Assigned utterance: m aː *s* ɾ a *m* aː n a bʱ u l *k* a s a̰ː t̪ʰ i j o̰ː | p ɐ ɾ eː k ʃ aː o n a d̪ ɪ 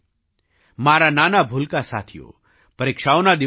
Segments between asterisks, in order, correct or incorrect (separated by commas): incorrect, incorrect, correct